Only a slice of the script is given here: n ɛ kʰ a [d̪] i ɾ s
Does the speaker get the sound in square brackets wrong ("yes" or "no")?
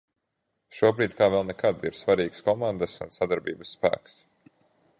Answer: no